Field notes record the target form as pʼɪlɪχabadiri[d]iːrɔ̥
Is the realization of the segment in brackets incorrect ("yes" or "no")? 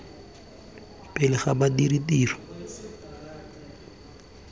yes